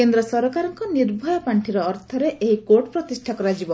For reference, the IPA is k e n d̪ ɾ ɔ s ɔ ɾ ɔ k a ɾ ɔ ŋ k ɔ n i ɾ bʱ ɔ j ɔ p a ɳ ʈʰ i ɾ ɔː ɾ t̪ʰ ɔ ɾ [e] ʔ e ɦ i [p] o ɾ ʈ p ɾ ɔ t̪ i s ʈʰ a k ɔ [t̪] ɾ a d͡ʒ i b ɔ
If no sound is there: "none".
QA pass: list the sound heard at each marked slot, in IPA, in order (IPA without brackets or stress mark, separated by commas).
e, k, none